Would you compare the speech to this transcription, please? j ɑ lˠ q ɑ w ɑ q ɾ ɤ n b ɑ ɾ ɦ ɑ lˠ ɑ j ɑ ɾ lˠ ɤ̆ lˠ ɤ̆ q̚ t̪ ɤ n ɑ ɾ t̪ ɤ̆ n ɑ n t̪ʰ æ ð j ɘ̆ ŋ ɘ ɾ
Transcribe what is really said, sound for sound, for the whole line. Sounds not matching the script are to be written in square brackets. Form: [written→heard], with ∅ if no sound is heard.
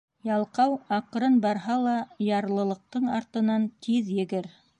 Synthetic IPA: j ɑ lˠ q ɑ w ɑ q ɾ ɤ n b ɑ ɾ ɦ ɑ lˠ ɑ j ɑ ɾ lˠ ɤ̆ lˠ ɤ̆ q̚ t̪ ɤ [n→ɴ] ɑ ɾ t̪ ɤ̆ n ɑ n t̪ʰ [æ→i] ð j ɘ̆ [ŋ→ɡ] ɘ ɾ